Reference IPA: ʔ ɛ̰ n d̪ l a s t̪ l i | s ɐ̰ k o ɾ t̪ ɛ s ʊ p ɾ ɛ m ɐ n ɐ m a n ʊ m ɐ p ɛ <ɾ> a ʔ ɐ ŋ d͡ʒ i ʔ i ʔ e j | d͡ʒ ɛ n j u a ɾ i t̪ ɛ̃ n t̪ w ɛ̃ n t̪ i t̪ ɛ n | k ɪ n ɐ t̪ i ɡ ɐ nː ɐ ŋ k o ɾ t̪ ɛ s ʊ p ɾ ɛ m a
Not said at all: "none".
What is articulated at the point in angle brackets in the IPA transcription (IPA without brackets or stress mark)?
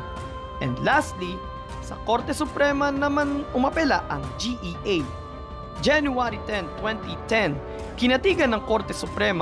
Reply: l